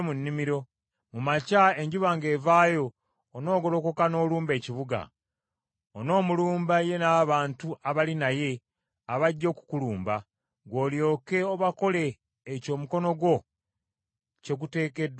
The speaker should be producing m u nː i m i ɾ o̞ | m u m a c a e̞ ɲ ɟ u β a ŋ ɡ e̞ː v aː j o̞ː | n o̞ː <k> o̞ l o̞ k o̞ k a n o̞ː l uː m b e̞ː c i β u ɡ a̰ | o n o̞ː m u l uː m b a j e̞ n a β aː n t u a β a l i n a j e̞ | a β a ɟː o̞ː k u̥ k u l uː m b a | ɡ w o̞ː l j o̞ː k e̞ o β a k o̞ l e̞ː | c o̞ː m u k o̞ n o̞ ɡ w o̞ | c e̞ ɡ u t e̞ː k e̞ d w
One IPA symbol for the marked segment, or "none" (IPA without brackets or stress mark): ɡ